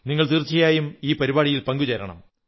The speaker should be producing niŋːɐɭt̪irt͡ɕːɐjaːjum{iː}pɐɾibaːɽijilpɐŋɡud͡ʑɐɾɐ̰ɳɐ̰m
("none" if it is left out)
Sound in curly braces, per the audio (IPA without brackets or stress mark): iː